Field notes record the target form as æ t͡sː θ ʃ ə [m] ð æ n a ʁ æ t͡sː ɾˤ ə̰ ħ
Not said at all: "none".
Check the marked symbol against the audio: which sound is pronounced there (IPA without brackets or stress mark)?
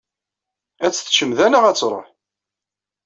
m